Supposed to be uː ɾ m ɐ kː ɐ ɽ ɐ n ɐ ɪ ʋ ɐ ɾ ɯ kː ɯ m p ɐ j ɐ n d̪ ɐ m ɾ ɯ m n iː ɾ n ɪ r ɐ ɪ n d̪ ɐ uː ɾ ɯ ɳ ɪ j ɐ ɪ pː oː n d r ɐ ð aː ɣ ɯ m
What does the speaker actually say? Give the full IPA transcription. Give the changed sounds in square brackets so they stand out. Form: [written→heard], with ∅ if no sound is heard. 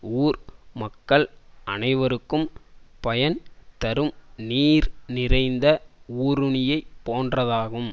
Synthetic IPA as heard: uː ɾ m ɐ kː ɐ [ɽ→ɭ] ɐ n ɐ ɪ ʋ ɐ ɾ ɯ kː ɯ m p ɐ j ɐ n [d̪→t̪] ɐ [m→∅] ɾ ɯ m n iː ɾ n ɪ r ɐ ɪ n d̪ ɐ uː ɾ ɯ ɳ ɪ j ɐ ɪ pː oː n d r ɐ ð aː ɣ ɯ m

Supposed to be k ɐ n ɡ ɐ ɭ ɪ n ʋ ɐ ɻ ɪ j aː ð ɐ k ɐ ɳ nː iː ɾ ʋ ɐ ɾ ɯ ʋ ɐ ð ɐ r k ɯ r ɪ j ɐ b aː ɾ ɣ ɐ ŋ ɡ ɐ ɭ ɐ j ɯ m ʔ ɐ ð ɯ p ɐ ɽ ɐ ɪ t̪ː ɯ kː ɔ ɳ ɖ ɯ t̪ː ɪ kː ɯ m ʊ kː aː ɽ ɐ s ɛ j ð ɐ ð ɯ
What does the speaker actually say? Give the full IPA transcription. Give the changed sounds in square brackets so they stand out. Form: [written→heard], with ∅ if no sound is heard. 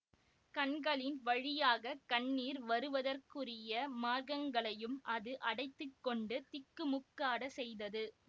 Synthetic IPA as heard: k ɐ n ɡ ɐ ɭ ɪ n ʋ ɐ ɻ ɪ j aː [ð→ɣ] ɐ k ɐ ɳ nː iː ɾ ʋ ɐ ɾ ɯ ʋ ɐ ð ɐ r k ɯ r ɪ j ɐ [b→m] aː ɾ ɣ ɐ ŋ ɡ ɐ ɭ ɐ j ɯ m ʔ ɐ ð ɯ [p→ʔ] ɐ ɽ ɐ ɪ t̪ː ɯ kː ɔ ɳ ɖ ɯ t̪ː ɪ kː ɯ m ʊ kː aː ɽ ɐ s ɛ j ð ɐ ð ɯ

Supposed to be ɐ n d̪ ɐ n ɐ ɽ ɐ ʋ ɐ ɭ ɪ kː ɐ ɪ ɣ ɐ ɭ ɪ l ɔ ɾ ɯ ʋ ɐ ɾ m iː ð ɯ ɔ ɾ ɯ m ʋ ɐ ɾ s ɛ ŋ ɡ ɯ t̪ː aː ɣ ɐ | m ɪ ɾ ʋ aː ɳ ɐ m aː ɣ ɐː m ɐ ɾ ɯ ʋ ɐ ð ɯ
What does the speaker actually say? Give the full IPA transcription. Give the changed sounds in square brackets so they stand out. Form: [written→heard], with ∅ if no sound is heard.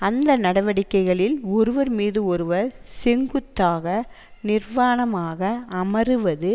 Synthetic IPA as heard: ɐ n d̪ ɐ n ɐ ɽ ɐ ʋ ɐ [ɭ→ɽ] ɪ kː ɐ ɪ ɣ ɐ ɭ ɪ l ɔ ɾ ɯ ʋ ɐ ɾ m iː ð ɯ ɔ ɾ ɯ [m→∅] ʋ ɐ ɾ s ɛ ŋ ɡ ɯ t̪ː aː ɣ ɐ | [m→n] ɪ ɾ ʋ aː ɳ ɐ m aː ɣ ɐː m ɐ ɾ ɯ ʋ ɐ ð ɯ

